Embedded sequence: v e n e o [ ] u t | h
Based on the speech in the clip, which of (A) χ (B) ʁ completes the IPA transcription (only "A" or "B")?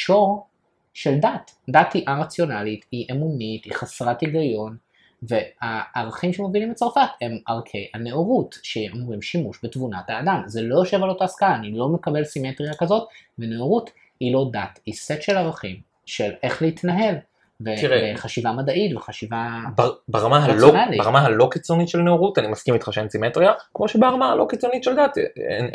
B